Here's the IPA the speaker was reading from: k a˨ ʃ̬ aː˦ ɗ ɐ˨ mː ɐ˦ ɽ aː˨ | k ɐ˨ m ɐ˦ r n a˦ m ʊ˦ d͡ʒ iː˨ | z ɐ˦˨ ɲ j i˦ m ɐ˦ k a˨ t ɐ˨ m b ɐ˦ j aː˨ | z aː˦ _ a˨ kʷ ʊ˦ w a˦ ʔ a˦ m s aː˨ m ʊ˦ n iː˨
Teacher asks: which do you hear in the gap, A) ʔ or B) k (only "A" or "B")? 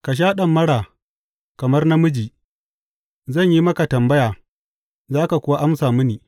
B